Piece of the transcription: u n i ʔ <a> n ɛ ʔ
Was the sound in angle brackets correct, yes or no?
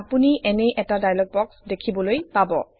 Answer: no